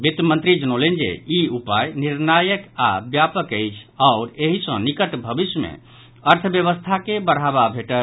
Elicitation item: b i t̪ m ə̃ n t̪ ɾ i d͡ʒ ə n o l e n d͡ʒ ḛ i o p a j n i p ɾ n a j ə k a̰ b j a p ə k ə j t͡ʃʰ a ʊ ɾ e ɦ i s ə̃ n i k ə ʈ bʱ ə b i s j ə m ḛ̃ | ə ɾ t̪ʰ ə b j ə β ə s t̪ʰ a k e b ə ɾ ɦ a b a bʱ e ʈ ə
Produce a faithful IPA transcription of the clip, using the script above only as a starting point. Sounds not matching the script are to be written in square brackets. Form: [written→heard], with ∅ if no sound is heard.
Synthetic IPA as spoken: b i t̪ m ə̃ n t̪ ɾ i d͡ʒ ə n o l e n d͡ʒ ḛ i [o→u] p a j n i [p→∅] ɾ n a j ə k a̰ b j a p ə k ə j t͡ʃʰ a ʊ ɾ e ɦ i s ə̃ n i k ə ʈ bʱ ə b i s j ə m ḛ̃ | ə ɾ t̪ʰ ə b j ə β ə s t̪ʰ a k e b ə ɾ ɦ a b a bʱ e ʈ ə

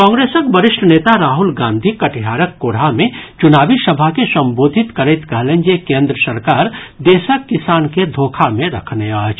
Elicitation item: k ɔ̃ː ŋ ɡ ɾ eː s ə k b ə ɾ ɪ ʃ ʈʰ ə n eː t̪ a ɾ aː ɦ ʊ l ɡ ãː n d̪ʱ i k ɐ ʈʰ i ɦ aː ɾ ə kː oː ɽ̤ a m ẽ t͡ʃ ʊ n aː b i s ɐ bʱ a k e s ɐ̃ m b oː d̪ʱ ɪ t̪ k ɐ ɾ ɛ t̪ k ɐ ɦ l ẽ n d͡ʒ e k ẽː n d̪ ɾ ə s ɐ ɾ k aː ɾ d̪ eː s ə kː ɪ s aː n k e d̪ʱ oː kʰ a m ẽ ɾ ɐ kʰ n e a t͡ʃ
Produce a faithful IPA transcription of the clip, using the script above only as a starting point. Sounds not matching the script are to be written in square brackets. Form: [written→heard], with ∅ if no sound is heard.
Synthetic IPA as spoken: k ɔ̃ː ŋ ɡ ɾ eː s ə k b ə ɾ ɪ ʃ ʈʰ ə n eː t̪ a ɾ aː ɦ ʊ l ɡ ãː n d̪ʱ i k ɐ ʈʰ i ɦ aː ɾ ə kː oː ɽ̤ a m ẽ t͡ʃ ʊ n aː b i s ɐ bʱ a k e s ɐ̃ m b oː d̪ʱ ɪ t̪ k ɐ ɾ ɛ t̪ k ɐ ɦ l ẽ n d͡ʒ e k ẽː n d̪ ɾ ə s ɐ ɾ k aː ɾ d̪ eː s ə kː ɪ s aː n k e d̪ʱ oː kʰ a m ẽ ɾ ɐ kʰ n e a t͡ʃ

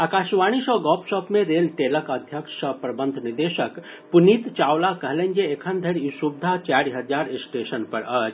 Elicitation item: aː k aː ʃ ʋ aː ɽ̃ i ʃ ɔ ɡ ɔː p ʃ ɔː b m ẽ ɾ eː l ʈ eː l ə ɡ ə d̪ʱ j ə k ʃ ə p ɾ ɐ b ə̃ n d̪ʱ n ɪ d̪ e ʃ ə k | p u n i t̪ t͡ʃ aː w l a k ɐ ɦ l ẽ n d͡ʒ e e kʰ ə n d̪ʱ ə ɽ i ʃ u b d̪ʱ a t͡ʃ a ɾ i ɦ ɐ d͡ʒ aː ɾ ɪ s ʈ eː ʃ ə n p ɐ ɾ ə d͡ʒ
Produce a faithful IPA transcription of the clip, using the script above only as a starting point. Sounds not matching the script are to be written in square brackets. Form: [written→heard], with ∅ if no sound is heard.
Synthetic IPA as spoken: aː k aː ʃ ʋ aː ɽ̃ i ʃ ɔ ɡ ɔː p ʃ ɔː [b→p] m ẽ ɾ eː l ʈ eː l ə [ɡ→k] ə d̪ʱ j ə k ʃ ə p ɾ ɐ b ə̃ n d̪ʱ n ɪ d̪ e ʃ ə k | p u n i t̪ t͡ʃ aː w l a k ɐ ɦ l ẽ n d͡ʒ e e kʰ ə n d̪ʱ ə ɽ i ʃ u b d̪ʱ a t͡ʃ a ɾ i ɦ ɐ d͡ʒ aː ɾ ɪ s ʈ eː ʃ ə n p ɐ ɾ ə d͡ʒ

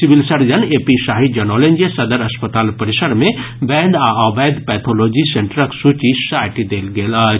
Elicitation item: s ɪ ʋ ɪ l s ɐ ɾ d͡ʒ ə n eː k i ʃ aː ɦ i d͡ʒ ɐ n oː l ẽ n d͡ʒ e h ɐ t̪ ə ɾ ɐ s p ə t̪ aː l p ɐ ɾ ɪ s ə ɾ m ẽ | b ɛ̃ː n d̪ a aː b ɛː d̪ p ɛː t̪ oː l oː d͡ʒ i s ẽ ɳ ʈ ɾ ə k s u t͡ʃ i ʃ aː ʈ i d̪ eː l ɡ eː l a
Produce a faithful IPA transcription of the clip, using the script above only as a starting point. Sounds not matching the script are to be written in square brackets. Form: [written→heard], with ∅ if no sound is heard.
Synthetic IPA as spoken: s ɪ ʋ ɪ l s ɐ ɾ d͡ʒ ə n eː [k→p] i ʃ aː ɦ i d͡ʒ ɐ n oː l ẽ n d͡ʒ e [h→s] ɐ [t̪→d̪] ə ɾ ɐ s p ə t̪ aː l p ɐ ɾ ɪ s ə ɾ m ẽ | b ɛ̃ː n d̪ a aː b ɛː d̪ p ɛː [t̪→t̪ʰ] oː l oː d͡ʒ i s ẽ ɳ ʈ ɾ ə k s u t͡ʃ i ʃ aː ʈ i d̪ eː l ɡ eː l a

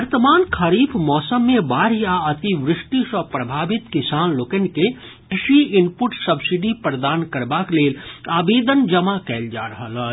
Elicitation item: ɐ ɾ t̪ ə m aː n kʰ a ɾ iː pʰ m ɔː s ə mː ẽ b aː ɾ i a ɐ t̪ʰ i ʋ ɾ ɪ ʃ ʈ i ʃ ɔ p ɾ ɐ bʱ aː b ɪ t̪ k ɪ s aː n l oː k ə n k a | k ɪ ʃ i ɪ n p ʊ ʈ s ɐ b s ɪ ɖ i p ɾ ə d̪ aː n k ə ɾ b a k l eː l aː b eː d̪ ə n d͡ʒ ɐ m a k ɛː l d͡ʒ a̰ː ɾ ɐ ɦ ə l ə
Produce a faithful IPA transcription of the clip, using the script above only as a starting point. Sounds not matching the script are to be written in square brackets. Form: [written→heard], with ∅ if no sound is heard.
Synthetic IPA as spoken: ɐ ɾ t̪ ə m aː n kʰ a ɾ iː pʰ m ɔː s ə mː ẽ b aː ɾ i a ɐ [t̪ʰ→t̪] i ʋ ɾ ɪ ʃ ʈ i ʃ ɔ p ɾ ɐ bʱ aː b ɪ t̪ k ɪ s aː n l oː k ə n k [a→e] | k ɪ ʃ i ɪ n p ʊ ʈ s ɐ b s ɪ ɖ i p ɾ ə d̪ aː n k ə ɾ b a k l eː l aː b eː d̪ ə n d͡ʒ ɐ m a k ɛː l d͡ʒ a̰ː ɾ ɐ ɦ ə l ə

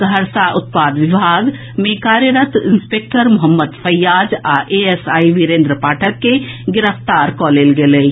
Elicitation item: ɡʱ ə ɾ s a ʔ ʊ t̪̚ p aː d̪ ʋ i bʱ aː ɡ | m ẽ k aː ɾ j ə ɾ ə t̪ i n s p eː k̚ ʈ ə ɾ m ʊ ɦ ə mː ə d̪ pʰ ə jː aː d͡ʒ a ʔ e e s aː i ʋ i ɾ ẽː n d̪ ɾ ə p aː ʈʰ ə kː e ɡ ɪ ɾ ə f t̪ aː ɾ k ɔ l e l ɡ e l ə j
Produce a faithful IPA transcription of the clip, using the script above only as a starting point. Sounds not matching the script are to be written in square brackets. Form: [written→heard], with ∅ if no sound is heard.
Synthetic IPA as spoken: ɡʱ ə ɾ s a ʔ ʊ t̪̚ p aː d̪ ʋ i bʱ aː ɡ | m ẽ k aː ɾ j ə ɾ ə t̪ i n s p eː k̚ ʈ ə ɾ m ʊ ɦ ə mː ə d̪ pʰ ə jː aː d͡ʒ a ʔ e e s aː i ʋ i ɾ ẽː n d̪ ɾ ə p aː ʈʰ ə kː e ɡ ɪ ɾ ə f t̪ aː ɾ k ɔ l e l ɡ e l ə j

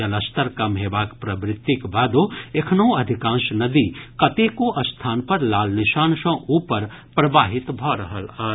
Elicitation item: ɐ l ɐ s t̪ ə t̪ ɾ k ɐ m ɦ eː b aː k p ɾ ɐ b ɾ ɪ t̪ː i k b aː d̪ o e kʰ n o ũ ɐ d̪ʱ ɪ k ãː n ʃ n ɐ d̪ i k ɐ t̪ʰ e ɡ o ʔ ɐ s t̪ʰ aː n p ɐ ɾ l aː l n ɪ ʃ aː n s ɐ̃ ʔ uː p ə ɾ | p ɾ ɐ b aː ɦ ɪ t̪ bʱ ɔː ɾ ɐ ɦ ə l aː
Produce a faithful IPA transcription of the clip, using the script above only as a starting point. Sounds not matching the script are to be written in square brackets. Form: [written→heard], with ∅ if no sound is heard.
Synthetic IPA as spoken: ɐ l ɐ s t̪ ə [t̪→∅] ɾ k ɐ m ɦ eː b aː k p ɾ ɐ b ɾ ɪ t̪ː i k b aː d̪ o e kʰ n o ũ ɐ d̪ʱ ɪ k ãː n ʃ n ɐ d̪ i k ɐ [t̪ʰ→t̪] e [ɡ→k] o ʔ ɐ s t̪ʰ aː n p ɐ ɾ l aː l n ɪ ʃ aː n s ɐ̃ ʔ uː p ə ɾ | p ɾ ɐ b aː ɦ ɪ t̪ bʱ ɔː ɾ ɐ ɦ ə l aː

